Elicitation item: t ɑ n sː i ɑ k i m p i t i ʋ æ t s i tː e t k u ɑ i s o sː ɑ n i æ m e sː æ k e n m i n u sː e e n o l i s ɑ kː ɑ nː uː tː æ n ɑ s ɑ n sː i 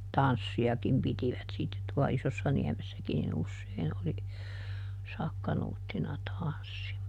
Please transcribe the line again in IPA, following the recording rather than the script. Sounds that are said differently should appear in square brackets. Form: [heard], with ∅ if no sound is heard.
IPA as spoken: t ɑ n sː i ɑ k i m p i t i ʋ æ t s i tː e t [t] u ɑ i s o sː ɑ n i æ m e sː æ k [i] n [n] i n u sː e [i] n o l i s ɑ kː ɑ [n] uː tː [i] n ɑ [t] ɑ n sː i